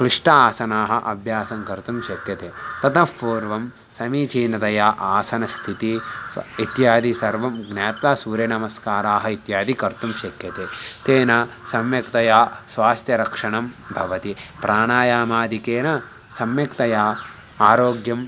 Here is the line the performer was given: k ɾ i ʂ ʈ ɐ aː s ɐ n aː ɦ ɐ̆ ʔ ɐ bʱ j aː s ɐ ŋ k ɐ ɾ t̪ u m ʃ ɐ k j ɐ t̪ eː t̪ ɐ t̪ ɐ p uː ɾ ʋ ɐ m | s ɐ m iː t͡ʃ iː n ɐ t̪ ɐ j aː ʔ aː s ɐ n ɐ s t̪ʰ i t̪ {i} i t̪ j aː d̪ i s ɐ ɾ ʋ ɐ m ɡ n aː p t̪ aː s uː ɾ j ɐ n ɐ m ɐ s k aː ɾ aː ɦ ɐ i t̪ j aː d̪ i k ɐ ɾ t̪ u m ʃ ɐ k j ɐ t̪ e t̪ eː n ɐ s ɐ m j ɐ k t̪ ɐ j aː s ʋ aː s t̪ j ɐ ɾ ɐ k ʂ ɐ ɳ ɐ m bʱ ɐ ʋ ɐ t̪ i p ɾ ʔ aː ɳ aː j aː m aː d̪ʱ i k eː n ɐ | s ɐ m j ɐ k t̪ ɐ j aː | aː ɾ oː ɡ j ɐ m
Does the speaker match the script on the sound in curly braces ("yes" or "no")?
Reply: yes